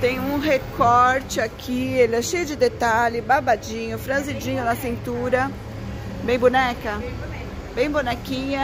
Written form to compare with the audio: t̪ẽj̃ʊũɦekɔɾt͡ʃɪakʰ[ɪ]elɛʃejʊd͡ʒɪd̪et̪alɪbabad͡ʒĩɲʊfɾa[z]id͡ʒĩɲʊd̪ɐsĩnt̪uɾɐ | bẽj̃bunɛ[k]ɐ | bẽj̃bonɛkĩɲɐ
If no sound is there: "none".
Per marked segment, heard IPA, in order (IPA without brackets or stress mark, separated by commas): i, z, k